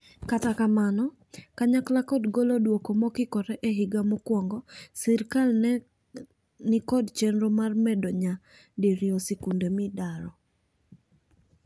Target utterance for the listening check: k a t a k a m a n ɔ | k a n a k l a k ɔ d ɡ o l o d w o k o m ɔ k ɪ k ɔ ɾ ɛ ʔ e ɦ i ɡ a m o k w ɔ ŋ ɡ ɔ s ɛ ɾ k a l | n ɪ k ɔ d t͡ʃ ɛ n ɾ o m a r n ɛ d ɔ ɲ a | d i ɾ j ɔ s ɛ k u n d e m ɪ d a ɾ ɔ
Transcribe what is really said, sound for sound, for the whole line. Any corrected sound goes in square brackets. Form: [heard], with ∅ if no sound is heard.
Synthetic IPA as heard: k a t a k a m a n ɔ | k a [ɲ] a k l a k ɔ d ɡ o l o d w o k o m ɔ k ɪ k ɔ ɾ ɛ ʔ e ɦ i ɡ a m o k w ɔ ŋ ɡ ɔ s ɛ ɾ k a l | n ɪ k ɔ d t͡ʃ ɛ n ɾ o m a r [m] ɛ d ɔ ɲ a | d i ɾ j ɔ s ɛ k u n d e m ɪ d a ɾ ɔ